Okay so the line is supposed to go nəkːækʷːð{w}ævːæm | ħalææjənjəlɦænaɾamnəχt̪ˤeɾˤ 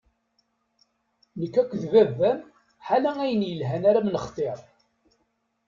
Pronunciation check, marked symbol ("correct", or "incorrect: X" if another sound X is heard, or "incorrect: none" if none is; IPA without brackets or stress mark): incorrect: v